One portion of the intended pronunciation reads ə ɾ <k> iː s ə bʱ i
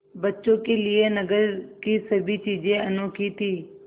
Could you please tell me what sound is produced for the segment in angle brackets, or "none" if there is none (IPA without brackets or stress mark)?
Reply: k